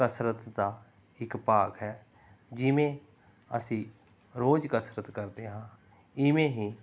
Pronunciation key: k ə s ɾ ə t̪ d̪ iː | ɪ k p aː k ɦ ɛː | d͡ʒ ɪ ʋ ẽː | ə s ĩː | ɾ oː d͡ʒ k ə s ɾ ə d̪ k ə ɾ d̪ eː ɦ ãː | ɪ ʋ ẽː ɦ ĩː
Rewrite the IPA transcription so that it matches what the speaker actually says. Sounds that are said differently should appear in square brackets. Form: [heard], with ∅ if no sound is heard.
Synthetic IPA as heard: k ə s ɾ ə t̪ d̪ [aː] | ɪ k p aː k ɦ ɛː | d͡ʒ ɪ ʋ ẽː | ə s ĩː | ɾ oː d͡ʒ k ə s ɾ ə [t̪] k ə ɾ d̪ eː ɦ ãː | ɪ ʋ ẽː ɦ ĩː